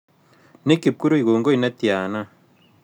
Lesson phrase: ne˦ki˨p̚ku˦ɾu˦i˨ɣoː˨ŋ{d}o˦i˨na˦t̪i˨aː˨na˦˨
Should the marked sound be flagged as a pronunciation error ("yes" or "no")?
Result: yes